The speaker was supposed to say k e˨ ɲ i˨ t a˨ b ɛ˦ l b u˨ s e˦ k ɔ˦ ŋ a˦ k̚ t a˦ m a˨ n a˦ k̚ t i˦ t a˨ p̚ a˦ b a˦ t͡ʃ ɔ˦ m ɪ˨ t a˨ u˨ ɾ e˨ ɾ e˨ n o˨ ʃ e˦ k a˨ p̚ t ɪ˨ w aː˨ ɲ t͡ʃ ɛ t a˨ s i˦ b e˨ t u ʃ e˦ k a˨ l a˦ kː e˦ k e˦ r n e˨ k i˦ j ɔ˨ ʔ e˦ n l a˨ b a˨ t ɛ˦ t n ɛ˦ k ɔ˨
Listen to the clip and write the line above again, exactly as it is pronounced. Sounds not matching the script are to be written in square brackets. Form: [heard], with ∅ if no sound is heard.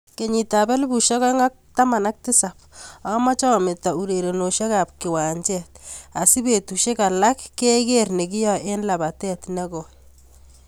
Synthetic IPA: k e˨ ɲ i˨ t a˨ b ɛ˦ l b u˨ [ʃ] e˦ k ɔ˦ ŋ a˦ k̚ t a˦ m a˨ n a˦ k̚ t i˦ [s] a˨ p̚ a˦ [m] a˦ t͡ʃ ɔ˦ m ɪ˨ t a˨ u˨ ɾ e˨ ɾ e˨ n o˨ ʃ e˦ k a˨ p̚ [k] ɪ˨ w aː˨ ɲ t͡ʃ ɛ t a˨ s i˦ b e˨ t u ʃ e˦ k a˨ l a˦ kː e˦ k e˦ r n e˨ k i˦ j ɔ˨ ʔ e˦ n l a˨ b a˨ t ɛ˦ t n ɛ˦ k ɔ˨